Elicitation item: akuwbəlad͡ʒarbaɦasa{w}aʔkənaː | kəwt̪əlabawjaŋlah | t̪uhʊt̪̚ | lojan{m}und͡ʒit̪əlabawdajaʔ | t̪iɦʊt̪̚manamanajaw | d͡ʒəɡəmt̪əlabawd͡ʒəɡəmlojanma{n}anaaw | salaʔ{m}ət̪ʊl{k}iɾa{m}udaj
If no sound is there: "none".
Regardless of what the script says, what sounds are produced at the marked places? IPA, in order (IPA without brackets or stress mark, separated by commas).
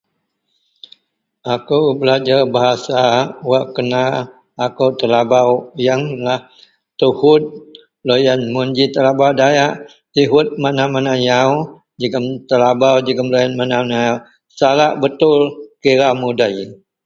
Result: w, m, n, b, k, m